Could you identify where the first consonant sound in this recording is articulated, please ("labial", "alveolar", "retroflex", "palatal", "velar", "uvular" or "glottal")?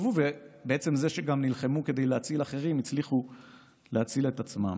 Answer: labial